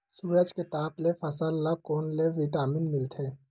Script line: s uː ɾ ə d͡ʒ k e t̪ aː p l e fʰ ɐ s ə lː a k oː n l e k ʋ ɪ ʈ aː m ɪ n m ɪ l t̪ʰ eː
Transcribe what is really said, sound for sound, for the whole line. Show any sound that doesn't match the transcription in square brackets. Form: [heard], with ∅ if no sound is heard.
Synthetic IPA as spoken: s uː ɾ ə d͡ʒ k e t̪ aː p l e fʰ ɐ s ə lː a k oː n l e [∅] ʋ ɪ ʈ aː m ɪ n m ɪ l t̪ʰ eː